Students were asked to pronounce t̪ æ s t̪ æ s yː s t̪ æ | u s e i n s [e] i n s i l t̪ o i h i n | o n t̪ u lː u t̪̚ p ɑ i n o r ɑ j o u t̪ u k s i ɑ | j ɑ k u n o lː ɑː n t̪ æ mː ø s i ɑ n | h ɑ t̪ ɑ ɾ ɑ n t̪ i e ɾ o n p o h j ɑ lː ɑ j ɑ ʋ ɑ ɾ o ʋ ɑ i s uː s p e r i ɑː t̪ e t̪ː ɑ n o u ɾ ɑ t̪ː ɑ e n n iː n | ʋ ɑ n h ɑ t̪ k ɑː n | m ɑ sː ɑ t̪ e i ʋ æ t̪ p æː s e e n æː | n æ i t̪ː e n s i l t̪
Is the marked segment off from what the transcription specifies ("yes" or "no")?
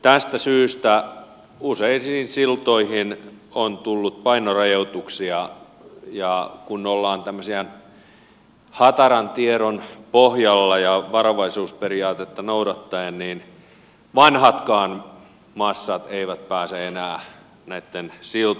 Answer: yes